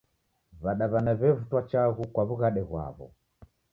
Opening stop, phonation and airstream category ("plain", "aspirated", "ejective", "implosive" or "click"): implosive